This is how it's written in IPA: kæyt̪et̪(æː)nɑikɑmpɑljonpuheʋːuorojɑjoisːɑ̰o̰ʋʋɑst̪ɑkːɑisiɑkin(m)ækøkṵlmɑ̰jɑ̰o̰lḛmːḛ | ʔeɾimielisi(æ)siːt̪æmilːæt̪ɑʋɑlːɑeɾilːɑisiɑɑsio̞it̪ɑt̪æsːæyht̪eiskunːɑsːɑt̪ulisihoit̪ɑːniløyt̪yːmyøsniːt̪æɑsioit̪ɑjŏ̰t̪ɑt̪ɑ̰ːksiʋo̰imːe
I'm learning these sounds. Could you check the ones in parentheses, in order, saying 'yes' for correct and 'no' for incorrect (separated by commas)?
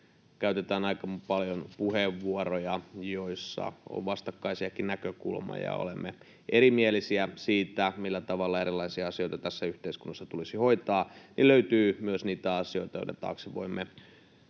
yes, no, yes